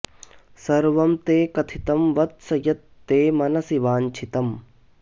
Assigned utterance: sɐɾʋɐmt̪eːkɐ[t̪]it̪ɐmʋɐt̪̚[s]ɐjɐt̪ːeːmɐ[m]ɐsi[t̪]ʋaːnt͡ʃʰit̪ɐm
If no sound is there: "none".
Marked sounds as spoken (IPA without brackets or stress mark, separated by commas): t̪ʰ, s, n, none